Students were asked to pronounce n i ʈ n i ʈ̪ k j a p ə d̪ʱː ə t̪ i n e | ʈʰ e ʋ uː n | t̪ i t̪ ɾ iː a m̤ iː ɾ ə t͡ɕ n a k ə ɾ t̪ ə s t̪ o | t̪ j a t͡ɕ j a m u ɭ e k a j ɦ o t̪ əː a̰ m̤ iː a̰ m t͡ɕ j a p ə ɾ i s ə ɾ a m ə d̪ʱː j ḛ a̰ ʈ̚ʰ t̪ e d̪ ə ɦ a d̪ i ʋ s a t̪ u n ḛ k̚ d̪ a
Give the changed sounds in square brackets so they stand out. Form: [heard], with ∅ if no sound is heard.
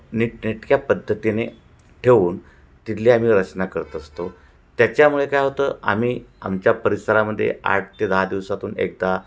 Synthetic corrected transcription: n i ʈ n i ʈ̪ k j a p ə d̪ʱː ə t̪ i n e | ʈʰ e ʋ uː n | t̪ i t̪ [l] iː a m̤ iː ɾ ə t͡ɕ n a k ə ɾ t̪ ə s t̪ o | t̪ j a t͡ɕ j a m u ɭ e k a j ɦ o t̪ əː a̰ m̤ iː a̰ m t͡ɕ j a p ə ɾ i s ə ɾ a m ə d̪ʱː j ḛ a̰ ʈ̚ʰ t̪ e d̪ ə ɦ a d̪ i ʋ s a t̪ [uː] n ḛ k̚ d̪ a